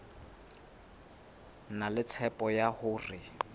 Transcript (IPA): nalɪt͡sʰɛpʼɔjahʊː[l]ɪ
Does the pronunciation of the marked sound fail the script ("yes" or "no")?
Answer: yes